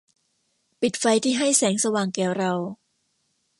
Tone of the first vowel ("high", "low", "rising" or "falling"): low